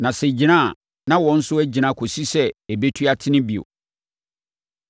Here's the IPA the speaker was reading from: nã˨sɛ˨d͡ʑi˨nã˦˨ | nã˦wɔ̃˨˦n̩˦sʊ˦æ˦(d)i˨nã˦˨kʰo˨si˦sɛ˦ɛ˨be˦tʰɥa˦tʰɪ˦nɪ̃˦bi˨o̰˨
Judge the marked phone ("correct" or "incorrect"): incorrect